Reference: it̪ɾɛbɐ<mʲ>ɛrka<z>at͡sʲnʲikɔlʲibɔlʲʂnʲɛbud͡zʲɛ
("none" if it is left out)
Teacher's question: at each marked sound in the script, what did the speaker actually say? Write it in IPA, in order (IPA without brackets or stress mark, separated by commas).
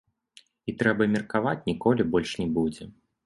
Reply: mʲ, v